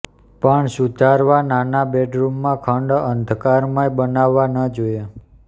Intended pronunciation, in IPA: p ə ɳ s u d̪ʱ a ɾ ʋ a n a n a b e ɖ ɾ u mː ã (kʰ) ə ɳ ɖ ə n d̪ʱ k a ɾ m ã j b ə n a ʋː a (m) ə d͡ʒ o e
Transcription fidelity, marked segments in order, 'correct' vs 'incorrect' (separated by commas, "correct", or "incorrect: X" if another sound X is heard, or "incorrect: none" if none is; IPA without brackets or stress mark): correct, incorrect: n